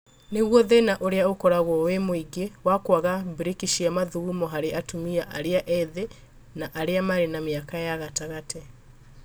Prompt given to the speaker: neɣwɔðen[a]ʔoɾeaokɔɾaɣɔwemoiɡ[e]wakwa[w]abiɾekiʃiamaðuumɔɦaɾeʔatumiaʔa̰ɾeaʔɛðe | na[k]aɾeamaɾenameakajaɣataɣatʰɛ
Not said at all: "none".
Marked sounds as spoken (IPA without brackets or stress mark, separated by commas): a, e, ɣ, ʔ